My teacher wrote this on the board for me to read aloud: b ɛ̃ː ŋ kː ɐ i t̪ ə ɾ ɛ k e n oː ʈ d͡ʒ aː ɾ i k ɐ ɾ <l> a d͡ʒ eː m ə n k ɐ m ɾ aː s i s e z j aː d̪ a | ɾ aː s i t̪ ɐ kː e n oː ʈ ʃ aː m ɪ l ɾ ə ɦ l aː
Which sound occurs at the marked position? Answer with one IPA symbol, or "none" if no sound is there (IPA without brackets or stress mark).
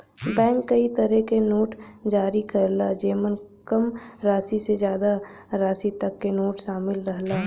l